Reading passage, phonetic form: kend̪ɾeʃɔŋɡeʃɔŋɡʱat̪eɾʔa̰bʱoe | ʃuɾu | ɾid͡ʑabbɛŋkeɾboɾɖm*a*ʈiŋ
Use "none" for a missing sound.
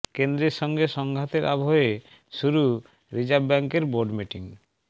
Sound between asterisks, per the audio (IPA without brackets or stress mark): i